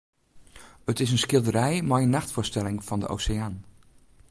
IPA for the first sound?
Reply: ə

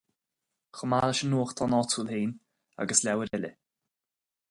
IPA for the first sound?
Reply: x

